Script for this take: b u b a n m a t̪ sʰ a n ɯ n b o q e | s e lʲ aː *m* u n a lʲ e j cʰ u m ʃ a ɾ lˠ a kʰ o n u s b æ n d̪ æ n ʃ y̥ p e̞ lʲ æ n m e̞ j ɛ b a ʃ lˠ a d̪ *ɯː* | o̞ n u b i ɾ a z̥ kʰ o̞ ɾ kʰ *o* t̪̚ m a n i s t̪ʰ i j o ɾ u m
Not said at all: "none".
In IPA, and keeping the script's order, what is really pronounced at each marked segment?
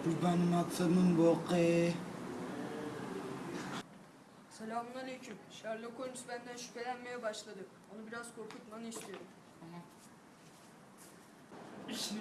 m, ɯ, u

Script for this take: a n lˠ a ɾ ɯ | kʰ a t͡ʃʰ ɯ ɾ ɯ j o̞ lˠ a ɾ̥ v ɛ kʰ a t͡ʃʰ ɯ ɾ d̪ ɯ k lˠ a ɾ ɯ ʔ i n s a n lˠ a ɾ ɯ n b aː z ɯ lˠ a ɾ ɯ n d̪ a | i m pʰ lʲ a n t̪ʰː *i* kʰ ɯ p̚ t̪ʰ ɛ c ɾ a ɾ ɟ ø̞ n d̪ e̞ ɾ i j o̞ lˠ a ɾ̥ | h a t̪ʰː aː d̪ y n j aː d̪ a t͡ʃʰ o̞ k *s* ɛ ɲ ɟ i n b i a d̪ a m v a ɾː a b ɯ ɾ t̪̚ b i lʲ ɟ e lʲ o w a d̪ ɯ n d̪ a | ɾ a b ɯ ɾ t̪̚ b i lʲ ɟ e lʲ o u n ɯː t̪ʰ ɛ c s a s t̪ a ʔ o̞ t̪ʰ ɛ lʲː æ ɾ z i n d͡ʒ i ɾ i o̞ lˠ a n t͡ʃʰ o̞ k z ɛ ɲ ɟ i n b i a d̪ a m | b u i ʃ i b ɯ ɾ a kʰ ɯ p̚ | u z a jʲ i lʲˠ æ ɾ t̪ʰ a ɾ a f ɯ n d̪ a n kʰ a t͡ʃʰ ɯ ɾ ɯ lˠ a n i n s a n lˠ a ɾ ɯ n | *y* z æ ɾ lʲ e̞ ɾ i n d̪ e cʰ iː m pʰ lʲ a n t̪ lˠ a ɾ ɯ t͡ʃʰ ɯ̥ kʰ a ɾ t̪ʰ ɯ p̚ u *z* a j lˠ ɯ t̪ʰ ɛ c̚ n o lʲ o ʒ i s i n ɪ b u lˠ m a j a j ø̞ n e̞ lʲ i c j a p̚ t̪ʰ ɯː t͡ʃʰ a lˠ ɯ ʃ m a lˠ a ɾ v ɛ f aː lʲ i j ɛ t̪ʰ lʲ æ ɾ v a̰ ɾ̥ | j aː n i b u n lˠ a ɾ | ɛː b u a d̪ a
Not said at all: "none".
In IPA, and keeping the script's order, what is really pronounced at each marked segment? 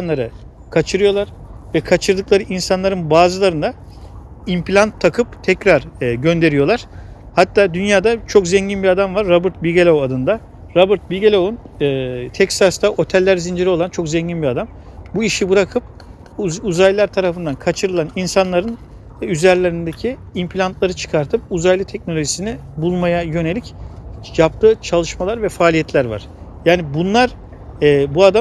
a, z, y, z

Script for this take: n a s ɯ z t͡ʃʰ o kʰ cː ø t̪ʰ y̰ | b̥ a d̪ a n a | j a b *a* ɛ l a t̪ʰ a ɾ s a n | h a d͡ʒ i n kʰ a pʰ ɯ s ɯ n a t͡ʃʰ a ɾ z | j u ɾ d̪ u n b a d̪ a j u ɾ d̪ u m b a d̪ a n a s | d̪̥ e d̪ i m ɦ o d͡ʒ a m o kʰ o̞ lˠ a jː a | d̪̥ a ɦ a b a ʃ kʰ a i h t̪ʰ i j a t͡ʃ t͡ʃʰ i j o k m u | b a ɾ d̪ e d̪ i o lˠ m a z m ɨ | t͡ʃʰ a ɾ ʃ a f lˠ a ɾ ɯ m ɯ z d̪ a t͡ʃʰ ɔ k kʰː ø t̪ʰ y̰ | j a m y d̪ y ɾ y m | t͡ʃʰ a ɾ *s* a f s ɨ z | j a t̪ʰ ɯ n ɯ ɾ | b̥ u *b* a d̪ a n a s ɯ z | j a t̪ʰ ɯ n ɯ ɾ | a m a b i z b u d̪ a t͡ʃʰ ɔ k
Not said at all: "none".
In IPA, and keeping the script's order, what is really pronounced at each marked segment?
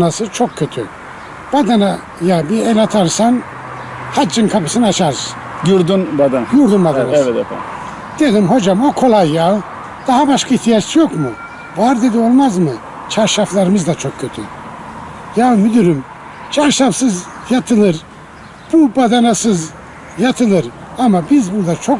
i, ʃ, b

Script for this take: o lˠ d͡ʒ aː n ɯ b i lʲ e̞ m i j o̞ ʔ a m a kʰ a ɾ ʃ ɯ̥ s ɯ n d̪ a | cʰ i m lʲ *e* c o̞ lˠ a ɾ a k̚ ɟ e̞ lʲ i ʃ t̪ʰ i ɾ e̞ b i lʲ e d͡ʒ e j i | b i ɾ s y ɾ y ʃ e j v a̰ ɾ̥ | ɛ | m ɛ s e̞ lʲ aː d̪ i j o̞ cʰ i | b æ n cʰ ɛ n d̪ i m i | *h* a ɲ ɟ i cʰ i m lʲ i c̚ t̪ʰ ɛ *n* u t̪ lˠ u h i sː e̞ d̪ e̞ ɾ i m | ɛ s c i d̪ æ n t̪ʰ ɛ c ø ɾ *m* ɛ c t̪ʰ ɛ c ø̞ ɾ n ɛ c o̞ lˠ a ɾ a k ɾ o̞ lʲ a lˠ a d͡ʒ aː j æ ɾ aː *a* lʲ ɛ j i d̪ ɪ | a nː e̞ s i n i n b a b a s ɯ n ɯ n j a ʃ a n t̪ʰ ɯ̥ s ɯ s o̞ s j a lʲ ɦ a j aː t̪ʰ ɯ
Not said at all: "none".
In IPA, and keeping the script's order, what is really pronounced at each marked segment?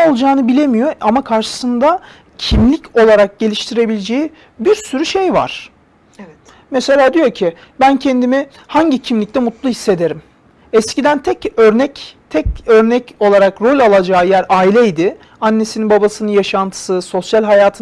i, h, m, n, i

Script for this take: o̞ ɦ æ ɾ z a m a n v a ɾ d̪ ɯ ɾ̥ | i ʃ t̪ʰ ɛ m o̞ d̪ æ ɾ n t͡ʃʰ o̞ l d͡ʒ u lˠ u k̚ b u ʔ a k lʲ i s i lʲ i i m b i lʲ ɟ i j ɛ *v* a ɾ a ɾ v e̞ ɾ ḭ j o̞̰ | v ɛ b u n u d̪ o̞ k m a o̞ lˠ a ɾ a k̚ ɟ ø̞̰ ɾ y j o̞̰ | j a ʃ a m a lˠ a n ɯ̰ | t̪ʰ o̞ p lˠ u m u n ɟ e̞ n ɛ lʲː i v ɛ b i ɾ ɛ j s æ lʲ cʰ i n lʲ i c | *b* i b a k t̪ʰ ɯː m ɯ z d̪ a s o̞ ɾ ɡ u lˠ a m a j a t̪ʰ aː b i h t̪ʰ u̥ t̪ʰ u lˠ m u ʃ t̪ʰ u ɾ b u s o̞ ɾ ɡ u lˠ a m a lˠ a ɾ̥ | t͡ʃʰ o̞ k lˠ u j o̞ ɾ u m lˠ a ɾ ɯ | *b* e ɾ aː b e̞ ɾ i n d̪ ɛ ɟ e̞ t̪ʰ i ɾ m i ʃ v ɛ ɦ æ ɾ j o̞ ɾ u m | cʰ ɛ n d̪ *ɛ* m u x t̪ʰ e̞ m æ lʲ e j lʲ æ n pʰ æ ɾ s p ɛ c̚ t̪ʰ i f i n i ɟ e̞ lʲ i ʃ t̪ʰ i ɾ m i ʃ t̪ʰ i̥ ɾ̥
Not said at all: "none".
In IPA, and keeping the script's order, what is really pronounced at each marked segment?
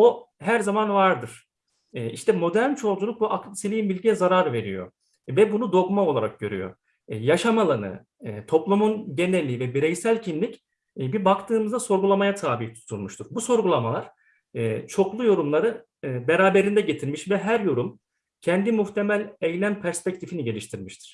z, b, b, i

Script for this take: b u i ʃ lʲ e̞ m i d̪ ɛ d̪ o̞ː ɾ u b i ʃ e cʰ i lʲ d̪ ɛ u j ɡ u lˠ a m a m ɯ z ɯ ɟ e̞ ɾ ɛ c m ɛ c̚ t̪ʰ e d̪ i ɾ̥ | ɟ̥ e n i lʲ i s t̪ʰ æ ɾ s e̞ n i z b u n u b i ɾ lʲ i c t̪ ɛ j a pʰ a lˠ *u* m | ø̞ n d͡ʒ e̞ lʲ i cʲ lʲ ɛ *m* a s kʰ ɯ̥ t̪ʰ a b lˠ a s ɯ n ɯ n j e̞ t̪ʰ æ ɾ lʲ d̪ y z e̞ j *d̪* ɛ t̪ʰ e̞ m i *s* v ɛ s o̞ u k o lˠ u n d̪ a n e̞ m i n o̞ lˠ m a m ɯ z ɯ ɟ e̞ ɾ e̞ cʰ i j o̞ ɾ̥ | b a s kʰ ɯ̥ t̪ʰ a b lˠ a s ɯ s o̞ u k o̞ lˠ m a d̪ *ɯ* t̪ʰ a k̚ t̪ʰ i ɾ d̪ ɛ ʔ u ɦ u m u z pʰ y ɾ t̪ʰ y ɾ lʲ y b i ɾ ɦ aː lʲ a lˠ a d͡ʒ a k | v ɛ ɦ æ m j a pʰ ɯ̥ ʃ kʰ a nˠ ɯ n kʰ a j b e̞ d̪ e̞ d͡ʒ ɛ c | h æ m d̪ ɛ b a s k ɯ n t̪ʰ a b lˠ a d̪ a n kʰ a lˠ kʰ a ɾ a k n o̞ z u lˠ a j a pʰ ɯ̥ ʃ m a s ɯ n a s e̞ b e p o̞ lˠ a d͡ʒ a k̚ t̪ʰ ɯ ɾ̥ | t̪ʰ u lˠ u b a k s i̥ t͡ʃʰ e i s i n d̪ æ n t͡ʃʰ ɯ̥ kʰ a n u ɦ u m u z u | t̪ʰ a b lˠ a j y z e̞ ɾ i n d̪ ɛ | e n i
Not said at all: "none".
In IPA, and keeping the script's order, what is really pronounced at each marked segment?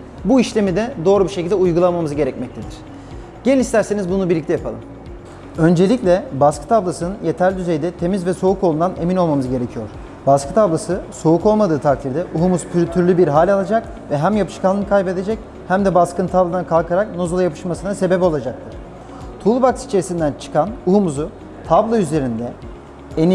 ɯ, b, d̪, z, ɯː

